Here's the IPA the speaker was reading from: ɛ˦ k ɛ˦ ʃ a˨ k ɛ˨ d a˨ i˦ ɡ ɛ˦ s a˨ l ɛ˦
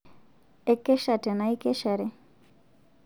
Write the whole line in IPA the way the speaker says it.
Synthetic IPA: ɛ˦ k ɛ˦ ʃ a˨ t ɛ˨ n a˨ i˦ k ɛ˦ ʃ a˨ ɾ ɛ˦